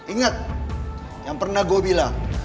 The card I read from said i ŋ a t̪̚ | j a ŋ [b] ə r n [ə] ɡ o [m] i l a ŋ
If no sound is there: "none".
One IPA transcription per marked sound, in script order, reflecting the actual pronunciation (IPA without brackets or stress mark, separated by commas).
p, a, b